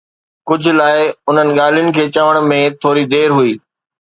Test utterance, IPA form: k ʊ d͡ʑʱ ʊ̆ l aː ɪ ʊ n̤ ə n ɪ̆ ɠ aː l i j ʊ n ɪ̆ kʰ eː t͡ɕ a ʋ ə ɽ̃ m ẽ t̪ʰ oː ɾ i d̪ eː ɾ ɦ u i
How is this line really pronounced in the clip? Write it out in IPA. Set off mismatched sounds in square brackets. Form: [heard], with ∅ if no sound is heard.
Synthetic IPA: k ʊ d͡ʑʱ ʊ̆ l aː ɪ ʊ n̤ ə n ɪ̆ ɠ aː l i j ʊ n ɪ̆ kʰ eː t͡ɕ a ʋ ə ɽ̃ m ẽ t̪ʰ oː ɾ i d̪ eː ɾ ɦ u [iː]